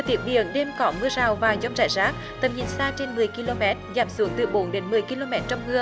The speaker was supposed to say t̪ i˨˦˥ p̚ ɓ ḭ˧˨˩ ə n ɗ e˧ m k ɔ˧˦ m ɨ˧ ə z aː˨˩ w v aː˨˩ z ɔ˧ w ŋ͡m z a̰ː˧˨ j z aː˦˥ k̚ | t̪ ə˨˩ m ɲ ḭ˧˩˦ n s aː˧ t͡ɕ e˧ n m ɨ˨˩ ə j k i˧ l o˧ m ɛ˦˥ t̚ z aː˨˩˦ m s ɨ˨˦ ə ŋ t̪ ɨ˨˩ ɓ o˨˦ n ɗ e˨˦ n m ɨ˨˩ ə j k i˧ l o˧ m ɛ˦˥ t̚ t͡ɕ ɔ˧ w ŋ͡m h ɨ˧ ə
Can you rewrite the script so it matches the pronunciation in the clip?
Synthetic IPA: t̪ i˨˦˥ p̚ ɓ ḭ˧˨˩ ə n ɗ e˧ m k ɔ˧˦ m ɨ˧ ə z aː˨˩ w v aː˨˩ z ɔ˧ w ŋ͡m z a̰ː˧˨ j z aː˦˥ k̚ | t̪ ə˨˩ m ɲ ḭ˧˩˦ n s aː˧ t͡ɕ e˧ n m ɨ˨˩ ə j k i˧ l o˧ m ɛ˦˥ t̚ z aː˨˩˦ m s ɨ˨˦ ə ŋ t̪ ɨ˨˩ ɓ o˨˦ n ɗ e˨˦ n m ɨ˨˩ ə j k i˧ l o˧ m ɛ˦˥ t̚ t͡ɕ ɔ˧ w ŋ͡m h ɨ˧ ə

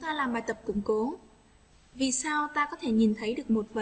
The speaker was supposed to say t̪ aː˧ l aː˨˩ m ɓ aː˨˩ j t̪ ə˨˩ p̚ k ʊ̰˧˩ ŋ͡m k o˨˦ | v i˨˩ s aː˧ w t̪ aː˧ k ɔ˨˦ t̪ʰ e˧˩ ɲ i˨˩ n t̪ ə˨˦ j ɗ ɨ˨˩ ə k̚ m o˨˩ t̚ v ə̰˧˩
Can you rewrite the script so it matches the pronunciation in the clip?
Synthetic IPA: t̪ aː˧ l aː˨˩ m ɓ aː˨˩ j t̪ ə˨˩ p̚ k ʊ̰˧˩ ŋ͡m k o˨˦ | v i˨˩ s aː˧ w t̪ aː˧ k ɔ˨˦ t̪ʰ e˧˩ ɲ i˨˩ n t̪ʰ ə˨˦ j ɗ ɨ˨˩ ə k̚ m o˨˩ t̚ v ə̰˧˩

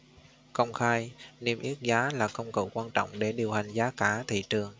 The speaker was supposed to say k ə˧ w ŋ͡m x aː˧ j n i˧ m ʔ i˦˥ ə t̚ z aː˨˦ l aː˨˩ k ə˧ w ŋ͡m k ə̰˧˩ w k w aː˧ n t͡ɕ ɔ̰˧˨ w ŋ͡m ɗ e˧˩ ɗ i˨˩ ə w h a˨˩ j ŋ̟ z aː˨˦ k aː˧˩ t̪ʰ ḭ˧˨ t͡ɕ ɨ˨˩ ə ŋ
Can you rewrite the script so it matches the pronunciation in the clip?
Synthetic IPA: k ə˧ w ŋ͡m x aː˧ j n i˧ m ʔ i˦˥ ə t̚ z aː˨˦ l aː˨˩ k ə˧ w ŋ͡m k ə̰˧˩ w k w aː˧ n t͡ɕ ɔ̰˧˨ w ŋ͡m ɗ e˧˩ ɗ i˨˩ ə w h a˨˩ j ŋ̟ z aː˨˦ k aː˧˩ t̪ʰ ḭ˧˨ t͡ɕ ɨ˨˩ ə ŋ

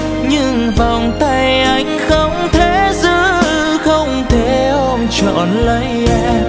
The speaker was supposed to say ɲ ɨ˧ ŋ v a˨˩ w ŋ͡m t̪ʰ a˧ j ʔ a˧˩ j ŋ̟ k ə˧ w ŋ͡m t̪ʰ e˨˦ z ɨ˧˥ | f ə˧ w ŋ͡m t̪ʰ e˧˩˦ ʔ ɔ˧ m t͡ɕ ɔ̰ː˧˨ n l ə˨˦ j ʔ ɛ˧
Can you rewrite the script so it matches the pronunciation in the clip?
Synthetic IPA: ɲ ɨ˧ ŋ v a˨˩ w ŋ͡m t̪ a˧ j ʔ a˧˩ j ŋ̟ x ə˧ w ŋ͡m t̪ʰ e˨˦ z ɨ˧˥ | x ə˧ w ŋ͡m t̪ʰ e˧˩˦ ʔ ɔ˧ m t͡ɕ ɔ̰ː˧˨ n l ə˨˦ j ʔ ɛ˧

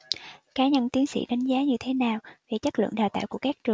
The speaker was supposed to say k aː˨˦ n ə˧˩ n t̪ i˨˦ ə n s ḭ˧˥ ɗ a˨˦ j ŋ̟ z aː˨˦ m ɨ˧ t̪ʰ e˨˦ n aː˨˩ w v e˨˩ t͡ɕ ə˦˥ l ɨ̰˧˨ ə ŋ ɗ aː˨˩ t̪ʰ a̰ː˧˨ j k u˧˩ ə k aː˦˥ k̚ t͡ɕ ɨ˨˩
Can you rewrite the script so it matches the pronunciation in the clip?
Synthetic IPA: k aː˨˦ ɲ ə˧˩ n t̪ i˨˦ ə n s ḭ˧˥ ɗ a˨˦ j ŋ̟ z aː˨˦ ɲ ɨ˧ t̪ʰ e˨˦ n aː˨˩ w v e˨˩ t͡ɕ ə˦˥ l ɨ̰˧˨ ə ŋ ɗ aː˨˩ t̪ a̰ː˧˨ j k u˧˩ ə k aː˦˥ k̚ t͡ɕ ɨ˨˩

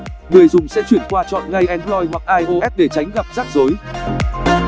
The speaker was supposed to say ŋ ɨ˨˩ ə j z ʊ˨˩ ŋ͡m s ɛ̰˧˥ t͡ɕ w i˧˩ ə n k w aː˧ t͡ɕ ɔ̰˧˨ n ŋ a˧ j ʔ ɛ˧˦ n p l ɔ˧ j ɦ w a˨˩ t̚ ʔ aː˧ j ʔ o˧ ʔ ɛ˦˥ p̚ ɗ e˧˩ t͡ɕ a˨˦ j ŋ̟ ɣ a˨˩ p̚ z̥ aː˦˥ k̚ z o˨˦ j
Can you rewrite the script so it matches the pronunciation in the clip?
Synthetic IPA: ŋ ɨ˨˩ ə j z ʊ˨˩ ŋ͡m s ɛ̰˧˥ t͡ɕ w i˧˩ ə n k w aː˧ t͡ɕ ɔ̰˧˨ n ŋ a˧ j ʔ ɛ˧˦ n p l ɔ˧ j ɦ w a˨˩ k̚ ʔ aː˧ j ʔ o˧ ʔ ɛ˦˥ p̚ ɗ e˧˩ t͡ɕ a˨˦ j ŋ̟ ɣ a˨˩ p̚ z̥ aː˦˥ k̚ z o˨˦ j

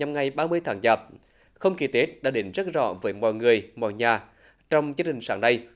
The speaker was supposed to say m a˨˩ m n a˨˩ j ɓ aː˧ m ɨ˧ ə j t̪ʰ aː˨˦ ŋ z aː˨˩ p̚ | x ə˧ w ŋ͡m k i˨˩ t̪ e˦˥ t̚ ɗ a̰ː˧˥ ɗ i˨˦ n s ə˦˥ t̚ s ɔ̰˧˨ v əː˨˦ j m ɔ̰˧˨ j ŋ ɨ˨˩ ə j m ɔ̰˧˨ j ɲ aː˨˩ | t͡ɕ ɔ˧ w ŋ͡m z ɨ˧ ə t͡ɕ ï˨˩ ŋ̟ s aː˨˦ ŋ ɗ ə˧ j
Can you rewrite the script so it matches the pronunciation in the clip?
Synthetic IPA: ɲ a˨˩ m ŋ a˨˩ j ɓ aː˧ m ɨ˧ ə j t̪ʰ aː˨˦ ŋ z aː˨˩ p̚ | x ə˧ w ŋ͡m k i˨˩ t̪ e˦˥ t̚ ɗ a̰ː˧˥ ɗ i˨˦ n z ə˦˥ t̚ z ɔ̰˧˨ v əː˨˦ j m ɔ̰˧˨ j ŋ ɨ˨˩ ə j m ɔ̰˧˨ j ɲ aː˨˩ | t͡ɕ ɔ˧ w ŋ͡m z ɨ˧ ə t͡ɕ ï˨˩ ŋ̟ s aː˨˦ ŋ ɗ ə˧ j

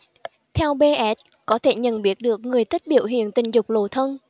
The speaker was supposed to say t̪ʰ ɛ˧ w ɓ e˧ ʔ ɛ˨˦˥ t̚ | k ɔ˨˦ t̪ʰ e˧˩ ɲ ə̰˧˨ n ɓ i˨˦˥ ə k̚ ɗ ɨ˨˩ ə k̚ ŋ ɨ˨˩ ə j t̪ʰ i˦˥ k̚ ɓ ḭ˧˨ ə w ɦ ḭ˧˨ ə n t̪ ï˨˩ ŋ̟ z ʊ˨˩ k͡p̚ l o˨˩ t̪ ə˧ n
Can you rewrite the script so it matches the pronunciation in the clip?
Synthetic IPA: t̪ʰ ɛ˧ w ɓ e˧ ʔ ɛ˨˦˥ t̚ | k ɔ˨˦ t̪ʰ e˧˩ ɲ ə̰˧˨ n ɓ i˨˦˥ ə t̚ ɗ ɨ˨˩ ə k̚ ŋ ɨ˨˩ ə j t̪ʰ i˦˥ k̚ ɓ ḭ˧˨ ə w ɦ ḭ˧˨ ə n t̪ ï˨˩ ŋ̟ z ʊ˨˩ k͡p̚ l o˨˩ t̪ʰ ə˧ n

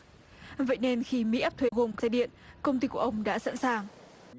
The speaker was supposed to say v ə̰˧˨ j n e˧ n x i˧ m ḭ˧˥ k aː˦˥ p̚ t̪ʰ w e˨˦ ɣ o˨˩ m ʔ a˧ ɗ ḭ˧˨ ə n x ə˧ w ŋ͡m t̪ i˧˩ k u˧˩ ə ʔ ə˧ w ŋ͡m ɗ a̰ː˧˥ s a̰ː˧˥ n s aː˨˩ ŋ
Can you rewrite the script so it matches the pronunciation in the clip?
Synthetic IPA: v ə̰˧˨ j n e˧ n x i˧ m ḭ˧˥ ʔ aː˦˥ p̚ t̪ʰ w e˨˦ ɣ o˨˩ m k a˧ ɗ ḭ˧˨ ə n k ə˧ w ŋ͡m t̪ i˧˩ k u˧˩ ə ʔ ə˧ w ŋ͡m ɗ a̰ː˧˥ s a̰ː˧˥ n s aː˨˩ ŋ

